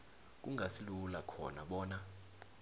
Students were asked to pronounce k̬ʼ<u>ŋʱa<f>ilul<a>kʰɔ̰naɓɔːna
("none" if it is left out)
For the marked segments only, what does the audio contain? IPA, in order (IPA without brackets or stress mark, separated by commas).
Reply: u, s, a